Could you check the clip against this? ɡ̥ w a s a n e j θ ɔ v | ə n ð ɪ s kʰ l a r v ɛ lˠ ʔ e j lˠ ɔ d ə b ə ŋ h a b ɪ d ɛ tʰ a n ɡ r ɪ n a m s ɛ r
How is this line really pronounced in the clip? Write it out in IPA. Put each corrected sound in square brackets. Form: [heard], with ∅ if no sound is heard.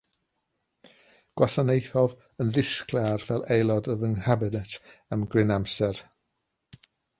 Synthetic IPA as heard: ɡ̥ w a s a n e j θ ɔ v | ə n ð ɪ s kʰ l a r v ɛ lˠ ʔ e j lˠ ɔ d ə [v] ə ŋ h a b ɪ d ɛ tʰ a [m] ɡ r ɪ n a m s ɛ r

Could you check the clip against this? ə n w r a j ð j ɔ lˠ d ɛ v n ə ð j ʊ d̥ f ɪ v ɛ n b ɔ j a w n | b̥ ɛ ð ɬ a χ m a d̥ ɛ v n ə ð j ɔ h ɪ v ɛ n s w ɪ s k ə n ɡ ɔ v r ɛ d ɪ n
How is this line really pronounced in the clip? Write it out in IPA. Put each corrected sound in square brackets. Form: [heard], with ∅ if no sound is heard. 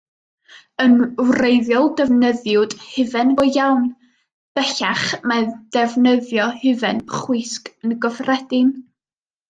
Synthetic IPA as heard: ə n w r [e] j ð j ɔ lˠ d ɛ v n ə ð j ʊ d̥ [h] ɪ v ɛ n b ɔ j a w n | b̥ ɛ [∅] ɬ a χ m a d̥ ɛ v n ə ð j ɔ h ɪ v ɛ n [χ] w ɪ s k ə n ɡ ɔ v r ɛ d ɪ n

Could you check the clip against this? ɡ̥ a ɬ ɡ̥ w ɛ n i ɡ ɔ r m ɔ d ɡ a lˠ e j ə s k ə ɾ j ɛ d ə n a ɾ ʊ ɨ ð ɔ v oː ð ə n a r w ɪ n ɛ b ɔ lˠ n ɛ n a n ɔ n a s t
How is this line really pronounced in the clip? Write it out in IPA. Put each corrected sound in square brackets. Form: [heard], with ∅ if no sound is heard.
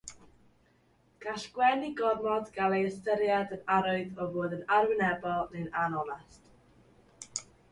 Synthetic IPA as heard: ɡ̥ a ɬ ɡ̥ w ɛ n i ɡ ɔ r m ɔ d ɡ a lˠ e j ə s [t] ə ɾ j [a] d ə n a ɾ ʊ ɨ ð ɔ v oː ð ə n a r w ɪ n ɛ b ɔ lˠ n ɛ n a n ɔ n a s t

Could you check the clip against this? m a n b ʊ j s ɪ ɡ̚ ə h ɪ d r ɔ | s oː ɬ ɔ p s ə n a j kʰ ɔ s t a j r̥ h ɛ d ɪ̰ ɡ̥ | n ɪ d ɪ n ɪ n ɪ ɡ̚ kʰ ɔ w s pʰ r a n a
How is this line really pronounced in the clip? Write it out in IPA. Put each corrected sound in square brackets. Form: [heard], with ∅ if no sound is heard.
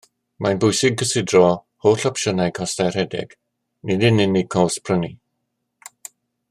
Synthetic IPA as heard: m a n b ʊ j s ɪ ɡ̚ ə [s] ɪ d r ɔ | [h] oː ɬ ɔ p [ʃ] ə n a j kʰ ɔ s t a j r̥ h ɛ d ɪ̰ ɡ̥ | n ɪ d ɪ n ɪ n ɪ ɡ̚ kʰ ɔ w s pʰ r [ə] n [i]

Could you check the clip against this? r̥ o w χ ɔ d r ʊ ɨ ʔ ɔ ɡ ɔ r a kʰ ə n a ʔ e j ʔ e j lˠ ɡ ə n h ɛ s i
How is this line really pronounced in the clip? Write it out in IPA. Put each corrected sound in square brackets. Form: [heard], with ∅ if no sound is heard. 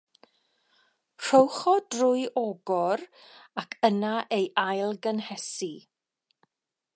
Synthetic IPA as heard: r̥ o w χ ɔ d r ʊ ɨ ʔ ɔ ɡ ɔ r a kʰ ə n a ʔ e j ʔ [a] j lˠ ɡ ə n h ɛ s i

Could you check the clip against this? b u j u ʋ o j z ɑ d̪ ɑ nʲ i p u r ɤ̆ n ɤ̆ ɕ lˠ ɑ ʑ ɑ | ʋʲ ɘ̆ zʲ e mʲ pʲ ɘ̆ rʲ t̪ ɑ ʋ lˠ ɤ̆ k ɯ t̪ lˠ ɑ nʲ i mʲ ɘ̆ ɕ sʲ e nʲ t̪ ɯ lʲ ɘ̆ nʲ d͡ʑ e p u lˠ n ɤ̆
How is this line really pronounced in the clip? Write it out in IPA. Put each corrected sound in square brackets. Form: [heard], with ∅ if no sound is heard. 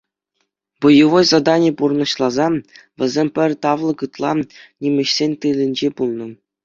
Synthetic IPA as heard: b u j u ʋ o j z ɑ d̪ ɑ nʲ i p u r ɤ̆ n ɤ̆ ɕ lˠ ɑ [z] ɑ | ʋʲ ɘ̆ zʲ e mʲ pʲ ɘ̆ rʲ t̪ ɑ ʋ lˠ ɤ̆ k ɯ t̪ lˠ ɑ nʲ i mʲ ɘ̆ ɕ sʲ e nʲ t̪ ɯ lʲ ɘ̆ nʲ d͡ʑ e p u lˠ n ɤ̆

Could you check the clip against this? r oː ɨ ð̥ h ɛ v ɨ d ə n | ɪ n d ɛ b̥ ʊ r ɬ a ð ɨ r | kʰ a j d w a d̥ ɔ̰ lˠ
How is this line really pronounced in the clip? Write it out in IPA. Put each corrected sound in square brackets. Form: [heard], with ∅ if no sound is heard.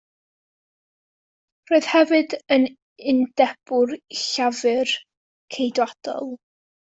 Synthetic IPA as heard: r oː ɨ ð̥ h ɛ v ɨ d ə n | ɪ n d ɛ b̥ ʊ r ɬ a [v] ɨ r | kʰ [e] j d w a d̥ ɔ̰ lˠ

